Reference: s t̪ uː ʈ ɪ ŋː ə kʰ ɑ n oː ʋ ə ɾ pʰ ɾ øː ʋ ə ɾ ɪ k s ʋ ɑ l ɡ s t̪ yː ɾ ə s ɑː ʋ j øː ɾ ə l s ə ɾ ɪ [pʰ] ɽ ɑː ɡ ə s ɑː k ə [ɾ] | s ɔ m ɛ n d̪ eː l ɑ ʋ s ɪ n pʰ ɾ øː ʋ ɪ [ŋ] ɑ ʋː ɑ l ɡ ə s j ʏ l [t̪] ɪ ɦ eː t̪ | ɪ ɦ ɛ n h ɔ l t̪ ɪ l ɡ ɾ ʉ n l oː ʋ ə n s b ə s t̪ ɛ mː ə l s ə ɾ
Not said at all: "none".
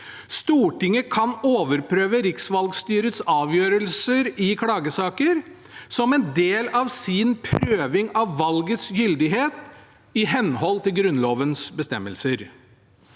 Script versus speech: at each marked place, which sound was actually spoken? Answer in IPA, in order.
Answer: kʰ, ɾ, ŋ, d̪

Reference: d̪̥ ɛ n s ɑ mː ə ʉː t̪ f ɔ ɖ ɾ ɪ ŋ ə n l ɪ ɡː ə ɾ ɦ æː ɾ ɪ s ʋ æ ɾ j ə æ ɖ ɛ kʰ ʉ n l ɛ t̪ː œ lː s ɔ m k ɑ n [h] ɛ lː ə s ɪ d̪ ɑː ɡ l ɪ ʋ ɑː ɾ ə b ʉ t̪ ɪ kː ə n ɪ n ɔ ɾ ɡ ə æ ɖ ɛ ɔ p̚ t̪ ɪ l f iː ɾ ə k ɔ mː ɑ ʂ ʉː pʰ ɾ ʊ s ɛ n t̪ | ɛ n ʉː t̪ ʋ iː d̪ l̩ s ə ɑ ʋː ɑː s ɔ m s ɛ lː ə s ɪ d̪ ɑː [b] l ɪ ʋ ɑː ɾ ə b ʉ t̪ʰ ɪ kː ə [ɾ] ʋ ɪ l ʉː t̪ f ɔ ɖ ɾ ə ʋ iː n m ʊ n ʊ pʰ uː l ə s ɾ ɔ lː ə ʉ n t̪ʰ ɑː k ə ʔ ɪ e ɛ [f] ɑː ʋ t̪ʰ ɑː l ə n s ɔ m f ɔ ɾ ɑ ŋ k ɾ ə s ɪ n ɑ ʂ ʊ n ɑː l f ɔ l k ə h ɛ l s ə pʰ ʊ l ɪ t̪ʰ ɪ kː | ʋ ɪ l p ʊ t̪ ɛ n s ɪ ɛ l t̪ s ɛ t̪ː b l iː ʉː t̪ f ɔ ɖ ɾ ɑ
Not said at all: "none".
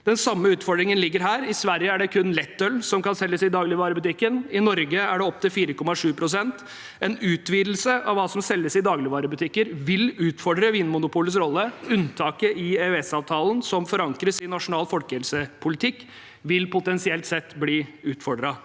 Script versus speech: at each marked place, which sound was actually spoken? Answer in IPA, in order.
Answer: s, ɡ, ɾ, s

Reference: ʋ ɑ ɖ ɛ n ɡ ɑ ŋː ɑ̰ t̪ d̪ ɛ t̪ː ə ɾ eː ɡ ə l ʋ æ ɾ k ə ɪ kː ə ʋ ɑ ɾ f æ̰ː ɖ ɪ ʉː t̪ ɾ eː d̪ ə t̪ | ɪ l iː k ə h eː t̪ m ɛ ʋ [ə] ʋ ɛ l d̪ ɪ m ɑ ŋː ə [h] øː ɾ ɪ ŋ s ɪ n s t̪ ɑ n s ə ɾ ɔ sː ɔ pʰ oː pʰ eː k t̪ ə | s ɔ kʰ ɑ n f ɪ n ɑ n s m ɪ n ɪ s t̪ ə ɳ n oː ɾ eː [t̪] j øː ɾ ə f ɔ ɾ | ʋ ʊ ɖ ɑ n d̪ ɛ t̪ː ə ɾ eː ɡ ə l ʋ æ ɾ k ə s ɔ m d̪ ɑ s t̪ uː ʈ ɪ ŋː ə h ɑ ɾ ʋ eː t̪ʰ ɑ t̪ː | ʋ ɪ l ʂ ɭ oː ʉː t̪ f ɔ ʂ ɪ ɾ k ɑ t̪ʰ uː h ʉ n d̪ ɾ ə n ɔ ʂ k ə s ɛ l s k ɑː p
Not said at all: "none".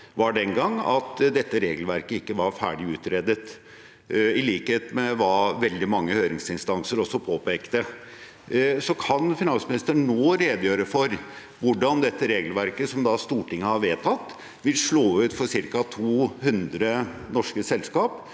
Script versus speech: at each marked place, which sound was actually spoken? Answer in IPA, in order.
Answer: ɑ, h, d̪

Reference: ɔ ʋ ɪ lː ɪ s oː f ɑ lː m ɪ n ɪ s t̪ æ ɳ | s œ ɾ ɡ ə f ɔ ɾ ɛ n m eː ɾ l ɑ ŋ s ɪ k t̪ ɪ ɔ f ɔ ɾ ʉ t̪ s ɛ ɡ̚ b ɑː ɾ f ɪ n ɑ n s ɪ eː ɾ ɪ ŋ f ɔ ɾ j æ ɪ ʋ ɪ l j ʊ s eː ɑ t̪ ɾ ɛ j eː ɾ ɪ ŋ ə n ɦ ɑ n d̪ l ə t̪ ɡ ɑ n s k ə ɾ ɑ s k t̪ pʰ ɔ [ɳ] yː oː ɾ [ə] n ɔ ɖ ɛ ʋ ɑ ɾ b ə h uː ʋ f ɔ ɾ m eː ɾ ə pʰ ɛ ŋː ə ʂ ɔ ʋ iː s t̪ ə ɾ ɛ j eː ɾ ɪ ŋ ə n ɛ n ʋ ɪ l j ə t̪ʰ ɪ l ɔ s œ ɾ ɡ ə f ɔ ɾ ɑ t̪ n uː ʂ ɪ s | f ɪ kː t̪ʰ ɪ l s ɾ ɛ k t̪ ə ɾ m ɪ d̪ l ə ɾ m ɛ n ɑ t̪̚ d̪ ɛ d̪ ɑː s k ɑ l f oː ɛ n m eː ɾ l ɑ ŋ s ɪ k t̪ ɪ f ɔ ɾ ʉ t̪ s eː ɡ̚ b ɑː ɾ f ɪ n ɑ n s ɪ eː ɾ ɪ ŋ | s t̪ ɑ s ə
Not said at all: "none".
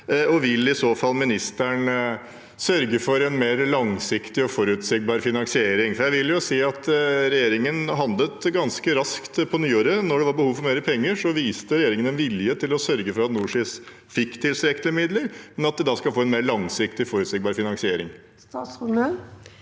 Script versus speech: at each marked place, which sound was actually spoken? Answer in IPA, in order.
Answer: n, ə

